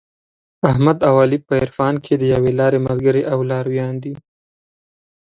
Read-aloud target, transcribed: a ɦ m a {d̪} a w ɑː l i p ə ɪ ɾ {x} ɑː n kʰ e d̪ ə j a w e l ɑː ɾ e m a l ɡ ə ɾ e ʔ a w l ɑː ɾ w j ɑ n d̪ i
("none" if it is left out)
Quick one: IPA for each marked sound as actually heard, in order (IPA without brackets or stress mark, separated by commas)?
d̪, f